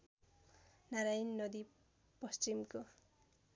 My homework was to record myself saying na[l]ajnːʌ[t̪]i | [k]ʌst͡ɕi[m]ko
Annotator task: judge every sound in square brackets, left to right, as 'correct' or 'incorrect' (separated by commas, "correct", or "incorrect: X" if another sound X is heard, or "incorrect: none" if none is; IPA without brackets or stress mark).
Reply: incorrect: ɾ, incorrect: d̪, incorrect: p, correct